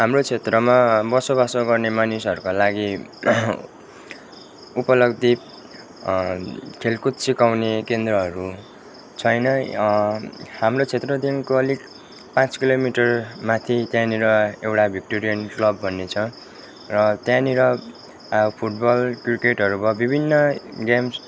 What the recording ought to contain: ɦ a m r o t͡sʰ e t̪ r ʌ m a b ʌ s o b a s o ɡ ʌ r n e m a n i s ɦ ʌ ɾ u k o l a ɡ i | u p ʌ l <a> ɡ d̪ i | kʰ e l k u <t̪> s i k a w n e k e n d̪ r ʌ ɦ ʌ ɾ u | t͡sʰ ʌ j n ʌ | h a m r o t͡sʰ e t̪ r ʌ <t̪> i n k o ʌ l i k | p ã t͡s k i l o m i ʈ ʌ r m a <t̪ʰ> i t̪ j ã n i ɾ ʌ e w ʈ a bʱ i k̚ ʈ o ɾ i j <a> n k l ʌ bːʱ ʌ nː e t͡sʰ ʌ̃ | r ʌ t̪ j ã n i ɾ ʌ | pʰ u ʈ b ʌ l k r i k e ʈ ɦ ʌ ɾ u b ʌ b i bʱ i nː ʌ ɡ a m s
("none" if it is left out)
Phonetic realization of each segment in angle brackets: ʌ, t̪, d̪, t̪ʰ, ʌ

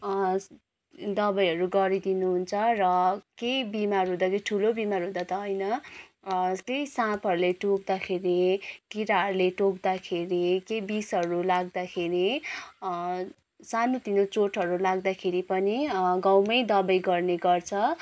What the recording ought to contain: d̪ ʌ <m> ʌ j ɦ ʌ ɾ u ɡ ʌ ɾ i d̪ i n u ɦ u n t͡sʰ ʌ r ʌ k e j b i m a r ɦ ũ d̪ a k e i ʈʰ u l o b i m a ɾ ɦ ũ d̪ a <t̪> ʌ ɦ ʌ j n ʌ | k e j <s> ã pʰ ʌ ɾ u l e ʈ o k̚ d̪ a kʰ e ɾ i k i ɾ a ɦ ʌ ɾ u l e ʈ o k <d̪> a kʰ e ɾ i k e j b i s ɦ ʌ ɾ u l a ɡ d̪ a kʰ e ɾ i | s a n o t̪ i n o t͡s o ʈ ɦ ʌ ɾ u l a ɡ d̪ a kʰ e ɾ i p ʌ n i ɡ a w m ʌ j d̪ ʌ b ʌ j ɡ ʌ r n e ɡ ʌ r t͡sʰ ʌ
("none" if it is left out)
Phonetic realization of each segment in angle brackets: b, t̪, s, d̪

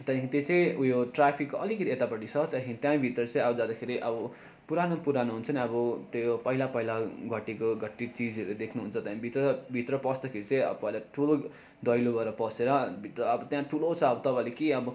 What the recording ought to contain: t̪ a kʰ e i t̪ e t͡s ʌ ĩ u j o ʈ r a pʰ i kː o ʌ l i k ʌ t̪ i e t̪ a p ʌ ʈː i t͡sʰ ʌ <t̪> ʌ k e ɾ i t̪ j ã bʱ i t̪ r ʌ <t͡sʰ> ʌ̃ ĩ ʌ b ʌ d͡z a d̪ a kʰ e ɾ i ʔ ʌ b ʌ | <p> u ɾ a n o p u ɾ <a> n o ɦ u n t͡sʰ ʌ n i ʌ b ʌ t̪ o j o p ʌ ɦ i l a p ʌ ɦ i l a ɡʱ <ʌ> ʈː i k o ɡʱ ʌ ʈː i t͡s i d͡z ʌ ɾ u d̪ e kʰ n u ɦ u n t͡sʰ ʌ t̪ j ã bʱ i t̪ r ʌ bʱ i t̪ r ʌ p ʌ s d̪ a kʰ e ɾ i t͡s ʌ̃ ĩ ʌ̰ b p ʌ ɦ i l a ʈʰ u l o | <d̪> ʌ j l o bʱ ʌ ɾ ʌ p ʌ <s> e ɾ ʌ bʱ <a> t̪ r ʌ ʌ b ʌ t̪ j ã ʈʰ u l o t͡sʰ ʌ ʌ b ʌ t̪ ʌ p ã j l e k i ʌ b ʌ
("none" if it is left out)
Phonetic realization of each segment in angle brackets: t̪, t͡s, p, a, ʌ, d̪, s, i

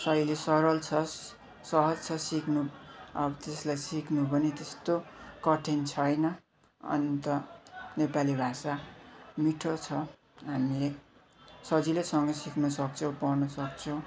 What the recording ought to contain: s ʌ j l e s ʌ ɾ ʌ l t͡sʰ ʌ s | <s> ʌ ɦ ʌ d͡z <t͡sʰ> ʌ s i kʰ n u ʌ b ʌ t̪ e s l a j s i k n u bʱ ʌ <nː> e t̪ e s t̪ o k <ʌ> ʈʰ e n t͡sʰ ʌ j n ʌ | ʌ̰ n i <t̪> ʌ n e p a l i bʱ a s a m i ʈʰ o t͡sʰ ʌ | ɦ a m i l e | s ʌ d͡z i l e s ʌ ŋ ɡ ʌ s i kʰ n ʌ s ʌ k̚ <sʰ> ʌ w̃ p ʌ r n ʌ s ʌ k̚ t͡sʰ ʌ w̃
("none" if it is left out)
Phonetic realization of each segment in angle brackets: s, t͡sʰ, n, ʌ, t̪, t͡sʰ

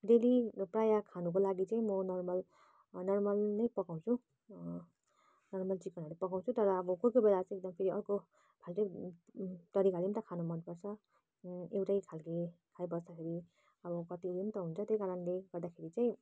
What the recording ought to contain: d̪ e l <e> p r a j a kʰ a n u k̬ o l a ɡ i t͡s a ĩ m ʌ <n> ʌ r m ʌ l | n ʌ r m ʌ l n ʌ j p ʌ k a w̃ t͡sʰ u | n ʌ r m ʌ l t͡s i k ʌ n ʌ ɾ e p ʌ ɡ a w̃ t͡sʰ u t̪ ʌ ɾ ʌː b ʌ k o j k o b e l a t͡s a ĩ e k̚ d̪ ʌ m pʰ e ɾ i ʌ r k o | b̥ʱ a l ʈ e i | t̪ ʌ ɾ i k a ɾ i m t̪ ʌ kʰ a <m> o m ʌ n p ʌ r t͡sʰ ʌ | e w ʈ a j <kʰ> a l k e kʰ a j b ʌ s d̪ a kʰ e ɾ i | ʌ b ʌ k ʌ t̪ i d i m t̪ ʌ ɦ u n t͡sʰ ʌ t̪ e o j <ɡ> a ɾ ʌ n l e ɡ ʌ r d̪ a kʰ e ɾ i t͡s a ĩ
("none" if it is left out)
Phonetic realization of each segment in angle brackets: i, n, n, kʰ, k

